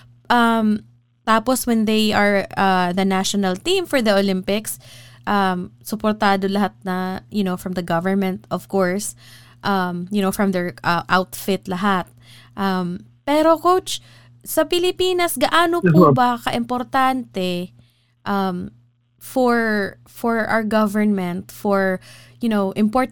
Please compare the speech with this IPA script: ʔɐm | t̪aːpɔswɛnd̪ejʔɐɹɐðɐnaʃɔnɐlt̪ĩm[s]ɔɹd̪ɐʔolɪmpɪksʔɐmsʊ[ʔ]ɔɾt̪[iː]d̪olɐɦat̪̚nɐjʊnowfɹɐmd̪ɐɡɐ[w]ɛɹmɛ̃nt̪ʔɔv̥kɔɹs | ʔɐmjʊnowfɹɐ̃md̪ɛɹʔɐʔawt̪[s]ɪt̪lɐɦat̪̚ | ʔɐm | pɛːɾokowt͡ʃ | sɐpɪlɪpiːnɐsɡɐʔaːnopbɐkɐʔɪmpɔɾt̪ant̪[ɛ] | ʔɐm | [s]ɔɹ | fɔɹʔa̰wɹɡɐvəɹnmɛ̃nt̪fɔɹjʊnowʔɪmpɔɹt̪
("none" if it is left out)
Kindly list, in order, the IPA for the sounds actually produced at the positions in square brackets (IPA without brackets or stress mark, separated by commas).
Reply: f, p, aː, v, f, ɛ, f